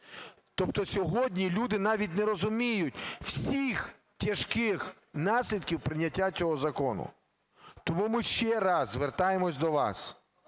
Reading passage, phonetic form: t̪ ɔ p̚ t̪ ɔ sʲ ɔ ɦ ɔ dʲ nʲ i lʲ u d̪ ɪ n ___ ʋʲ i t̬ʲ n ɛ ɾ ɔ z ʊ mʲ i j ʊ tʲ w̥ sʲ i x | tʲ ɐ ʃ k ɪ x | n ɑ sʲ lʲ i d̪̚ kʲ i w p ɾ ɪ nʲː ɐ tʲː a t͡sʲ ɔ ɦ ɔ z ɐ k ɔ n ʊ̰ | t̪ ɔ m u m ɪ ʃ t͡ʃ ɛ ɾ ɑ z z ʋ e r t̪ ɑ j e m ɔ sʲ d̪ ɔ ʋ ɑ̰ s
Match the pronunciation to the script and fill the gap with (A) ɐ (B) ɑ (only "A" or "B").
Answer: B